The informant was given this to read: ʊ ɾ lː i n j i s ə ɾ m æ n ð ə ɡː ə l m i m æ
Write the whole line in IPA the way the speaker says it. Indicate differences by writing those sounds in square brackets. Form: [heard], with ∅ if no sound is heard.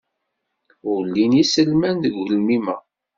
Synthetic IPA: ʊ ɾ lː i n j i s ə [l] m æ n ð ə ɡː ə l m i m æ